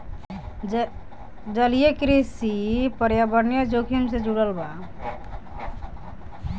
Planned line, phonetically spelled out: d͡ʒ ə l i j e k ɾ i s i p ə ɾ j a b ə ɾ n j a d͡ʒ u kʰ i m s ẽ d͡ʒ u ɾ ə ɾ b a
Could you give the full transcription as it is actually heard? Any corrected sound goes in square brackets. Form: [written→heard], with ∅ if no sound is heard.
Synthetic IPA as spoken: d͡ʒ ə l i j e k ɾ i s i p ə ɾ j a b ə ɾ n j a d͡ʒ [u→o] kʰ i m s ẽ d͡ʒ u [ɾ→ɽ] ə [ɾ→l] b a